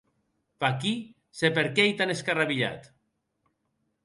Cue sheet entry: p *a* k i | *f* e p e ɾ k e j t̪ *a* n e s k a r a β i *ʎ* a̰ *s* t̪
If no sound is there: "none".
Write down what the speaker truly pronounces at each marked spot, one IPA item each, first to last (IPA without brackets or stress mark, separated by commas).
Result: a, s, a, ʎ, none